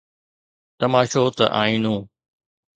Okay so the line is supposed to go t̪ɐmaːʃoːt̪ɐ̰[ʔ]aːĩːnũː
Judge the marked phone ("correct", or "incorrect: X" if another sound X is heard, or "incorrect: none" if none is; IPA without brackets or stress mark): correct